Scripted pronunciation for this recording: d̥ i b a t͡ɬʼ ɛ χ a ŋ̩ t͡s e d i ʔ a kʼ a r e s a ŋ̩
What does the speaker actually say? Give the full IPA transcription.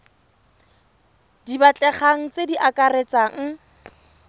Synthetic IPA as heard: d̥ i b a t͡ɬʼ ɛ χ a ŋ̩ t͡s e d i ʔ a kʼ a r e t͡s a ŋ̩